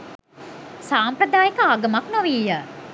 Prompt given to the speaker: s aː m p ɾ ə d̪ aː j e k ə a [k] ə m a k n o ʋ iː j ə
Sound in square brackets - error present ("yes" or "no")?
yes